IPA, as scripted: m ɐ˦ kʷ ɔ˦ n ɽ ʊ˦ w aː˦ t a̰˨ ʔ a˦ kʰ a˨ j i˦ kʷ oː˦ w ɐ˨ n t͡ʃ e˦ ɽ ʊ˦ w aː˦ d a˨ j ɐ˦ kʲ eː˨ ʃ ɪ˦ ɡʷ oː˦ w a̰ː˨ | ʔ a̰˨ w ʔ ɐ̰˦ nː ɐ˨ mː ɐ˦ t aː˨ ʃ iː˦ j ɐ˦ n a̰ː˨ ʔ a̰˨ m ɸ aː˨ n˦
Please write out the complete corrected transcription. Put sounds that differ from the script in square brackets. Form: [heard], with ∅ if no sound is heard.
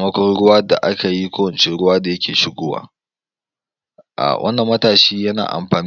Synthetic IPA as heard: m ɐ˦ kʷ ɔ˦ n ɽ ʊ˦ w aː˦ [d] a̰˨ ʔ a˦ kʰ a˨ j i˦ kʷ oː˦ w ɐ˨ n t͡ʃ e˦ ɽ ʊ˦ w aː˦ d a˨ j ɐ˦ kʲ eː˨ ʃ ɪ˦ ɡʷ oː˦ w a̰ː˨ | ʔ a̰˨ w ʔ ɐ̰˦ nː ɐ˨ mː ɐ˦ t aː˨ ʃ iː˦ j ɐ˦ n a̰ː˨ ʔ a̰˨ m ɸ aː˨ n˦